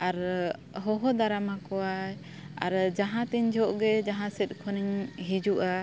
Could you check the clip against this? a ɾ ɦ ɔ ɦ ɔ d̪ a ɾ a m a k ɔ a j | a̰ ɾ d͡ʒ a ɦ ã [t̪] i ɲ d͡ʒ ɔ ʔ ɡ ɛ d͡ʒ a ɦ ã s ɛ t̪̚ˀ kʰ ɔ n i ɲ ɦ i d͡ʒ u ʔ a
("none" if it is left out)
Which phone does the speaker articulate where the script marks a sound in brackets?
t̪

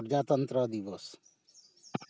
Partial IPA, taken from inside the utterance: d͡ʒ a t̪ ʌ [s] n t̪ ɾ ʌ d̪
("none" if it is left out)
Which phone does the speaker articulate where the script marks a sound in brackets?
none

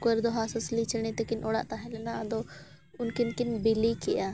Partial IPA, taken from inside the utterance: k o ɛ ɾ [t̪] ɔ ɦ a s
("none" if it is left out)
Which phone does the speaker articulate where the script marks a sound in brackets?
d̪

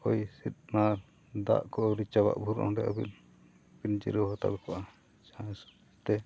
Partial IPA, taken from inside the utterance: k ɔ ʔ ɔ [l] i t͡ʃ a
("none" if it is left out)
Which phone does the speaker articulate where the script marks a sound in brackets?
ɾ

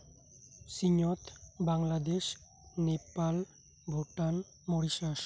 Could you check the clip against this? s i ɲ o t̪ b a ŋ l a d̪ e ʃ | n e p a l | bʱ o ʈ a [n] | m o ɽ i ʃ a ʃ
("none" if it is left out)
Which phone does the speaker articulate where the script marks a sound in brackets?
n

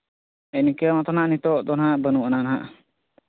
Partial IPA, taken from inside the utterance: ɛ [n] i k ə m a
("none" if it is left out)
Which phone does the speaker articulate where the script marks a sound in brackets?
n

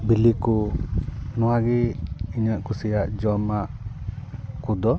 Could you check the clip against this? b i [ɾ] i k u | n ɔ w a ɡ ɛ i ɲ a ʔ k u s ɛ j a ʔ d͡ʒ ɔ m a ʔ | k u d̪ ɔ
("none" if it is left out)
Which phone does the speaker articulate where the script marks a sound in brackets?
l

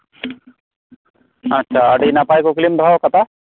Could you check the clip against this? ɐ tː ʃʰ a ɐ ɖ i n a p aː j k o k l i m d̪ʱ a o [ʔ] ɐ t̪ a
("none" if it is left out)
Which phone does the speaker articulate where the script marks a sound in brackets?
k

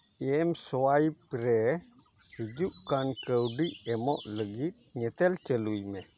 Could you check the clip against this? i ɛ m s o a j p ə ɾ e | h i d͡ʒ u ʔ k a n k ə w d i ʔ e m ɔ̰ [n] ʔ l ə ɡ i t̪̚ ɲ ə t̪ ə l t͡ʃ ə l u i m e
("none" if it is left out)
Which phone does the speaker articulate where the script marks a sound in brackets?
none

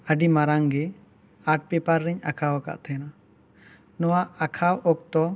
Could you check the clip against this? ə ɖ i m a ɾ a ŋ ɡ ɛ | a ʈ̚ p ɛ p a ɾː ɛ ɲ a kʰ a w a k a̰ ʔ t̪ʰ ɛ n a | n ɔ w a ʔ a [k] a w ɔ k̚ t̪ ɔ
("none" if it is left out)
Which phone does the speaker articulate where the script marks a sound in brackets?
kʰ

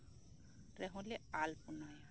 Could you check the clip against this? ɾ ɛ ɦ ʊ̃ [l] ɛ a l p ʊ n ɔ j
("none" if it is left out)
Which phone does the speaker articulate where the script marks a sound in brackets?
l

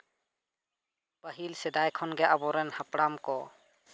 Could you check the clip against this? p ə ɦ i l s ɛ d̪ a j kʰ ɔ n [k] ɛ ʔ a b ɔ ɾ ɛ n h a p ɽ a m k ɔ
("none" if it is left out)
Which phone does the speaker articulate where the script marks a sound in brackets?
ɡ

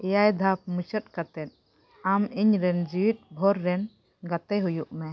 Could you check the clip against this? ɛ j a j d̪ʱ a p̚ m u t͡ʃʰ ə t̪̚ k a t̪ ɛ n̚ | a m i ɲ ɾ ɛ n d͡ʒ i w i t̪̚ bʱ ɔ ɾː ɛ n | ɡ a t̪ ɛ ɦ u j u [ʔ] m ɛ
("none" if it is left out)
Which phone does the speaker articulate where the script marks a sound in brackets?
ʔ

